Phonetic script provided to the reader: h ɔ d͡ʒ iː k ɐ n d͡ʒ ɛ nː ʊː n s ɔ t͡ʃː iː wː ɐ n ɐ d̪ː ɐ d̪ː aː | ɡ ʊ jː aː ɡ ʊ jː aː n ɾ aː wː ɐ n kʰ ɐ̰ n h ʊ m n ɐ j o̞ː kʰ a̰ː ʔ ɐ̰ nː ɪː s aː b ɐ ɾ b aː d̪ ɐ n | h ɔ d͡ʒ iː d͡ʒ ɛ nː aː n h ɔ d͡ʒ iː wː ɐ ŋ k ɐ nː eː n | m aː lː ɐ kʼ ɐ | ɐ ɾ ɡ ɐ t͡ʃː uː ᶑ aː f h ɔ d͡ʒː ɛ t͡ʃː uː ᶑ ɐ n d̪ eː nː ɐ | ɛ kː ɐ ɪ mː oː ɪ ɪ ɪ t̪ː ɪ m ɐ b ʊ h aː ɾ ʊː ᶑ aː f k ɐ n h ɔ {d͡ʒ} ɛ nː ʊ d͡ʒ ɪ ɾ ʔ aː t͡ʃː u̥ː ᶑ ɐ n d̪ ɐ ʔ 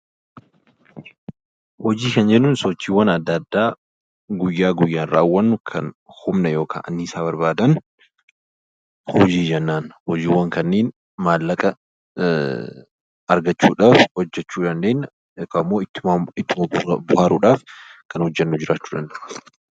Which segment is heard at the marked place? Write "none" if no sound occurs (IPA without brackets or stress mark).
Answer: d͡ʒː